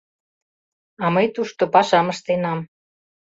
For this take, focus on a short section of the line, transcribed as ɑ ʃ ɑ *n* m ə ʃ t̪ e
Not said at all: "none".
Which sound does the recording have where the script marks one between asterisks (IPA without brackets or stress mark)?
none